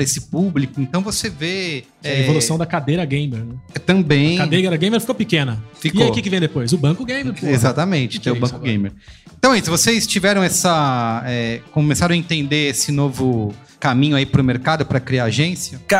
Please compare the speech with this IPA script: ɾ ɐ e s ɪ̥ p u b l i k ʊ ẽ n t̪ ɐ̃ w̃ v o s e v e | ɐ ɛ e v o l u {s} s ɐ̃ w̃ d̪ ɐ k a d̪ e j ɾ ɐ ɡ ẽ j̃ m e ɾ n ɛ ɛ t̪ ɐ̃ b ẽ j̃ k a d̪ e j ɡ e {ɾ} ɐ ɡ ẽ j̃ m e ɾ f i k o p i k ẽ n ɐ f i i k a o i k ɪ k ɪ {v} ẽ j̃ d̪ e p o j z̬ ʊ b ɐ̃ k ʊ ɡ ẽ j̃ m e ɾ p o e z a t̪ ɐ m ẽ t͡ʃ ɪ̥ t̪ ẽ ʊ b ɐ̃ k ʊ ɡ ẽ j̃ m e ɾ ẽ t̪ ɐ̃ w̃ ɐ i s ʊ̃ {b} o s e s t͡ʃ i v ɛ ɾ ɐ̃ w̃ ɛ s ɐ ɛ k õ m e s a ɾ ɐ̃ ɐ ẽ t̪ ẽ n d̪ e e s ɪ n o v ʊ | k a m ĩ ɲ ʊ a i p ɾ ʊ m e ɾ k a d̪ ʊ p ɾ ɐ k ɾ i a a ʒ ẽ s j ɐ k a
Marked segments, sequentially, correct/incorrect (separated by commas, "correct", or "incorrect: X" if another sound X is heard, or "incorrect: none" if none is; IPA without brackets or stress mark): correct, correct, correct, incorrect: v